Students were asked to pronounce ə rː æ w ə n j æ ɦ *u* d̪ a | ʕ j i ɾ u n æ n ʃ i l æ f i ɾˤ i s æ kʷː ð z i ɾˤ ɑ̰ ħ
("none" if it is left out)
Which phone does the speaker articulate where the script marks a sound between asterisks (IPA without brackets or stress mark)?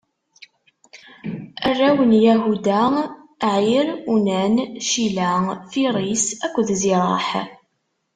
u